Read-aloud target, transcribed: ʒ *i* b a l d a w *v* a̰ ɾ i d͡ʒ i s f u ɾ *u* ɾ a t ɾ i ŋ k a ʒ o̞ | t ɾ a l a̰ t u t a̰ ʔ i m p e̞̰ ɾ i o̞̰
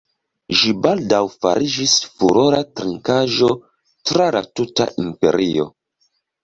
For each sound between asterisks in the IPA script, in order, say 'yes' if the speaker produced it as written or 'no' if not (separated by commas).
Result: yes, no, no